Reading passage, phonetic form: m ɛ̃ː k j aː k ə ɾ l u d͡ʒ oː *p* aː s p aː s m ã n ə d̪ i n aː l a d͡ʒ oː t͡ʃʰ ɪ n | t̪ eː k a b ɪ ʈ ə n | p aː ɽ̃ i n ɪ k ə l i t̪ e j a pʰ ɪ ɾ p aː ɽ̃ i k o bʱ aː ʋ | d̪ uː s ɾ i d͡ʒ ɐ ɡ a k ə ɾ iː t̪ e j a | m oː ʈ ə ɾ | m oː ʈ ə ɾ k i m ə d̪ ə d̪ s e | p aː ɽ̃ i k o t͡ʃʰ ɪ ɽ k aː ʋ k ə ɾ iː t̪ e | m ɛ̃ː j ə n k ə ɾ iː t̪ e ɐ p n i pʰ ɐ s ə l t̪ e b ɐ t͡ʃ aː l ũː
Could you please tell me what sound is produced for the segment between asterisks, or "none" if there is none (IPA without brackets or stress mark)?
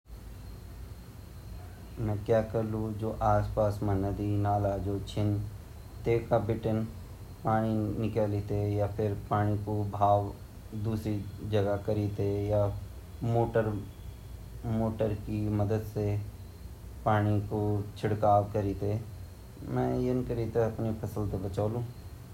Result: ʔ